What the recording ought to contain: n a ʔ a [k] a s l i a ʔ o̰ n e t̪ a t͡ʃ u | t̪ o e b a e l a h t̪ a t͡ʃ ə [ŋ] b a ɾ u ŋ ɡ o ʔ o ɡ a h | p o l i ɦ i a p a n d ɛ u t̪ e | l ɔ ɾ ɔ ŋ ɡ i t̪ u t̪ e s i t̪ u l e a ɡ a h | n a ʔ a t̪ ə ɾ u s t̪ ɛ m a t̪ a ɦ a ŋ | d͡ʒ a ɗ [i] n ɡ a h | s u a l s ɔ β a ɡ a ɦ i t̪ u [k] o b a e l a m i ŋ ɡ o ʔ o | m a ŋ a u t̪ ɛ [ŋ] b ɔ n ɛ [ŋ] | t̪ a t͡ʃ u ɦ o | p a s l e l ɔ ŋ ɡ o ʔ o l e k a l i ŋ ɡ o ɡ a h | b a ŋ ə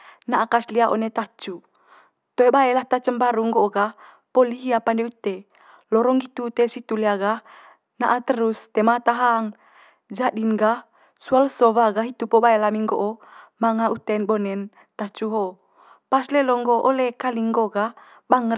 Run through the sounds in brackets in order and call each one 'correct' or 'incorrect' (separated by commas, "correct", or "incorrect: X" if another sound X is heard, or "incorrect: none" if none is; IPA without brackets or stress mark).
correct, incorrect: m, correct, incorrect: p, incorrect: n, incorrect: n